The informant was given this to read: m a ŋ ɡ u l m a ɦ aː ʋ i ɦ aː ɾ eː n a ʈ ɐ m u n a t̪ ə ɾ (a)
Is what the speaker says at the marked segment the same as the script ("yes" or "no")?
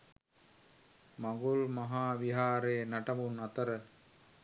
no